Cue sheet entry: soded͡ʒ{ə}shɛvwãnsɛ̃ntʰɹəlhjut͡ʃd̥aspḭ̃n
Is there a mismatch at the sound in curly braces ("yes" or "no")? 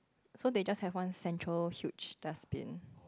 yes